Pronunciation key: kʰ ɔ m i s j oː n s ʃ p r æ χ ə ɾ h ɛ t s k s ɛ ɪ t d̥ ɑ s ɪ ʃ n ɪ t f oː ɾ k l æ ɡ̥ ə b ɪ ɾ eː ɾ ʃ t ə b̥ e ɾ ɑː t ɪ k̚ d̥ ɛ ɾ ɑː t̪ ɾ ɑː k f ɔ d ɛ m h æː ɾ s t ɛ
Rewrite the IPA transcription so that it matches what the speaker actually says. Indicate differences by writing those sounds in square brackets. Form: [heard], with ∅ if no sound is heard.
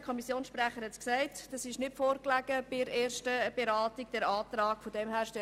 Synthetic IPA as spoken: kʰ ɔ m i s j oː n s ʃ p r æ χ ə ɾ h ɛ t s k s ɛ ɪ t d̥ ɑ s ɪ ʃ n ɪ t f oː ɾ k l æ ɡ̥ ə b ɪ ɾ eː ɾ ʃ t ə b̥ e ɾ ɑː t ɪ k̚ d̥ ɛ ɾ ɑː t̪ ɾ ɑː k f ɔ d ɛ m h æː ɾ [ʃ] t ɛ